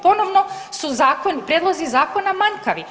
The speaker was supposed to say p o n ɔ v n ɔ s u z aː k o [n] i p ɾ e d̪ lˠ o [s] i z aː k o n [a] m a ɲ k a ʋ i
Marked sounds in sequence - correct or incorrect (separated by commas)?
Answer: correct, incorrect, correct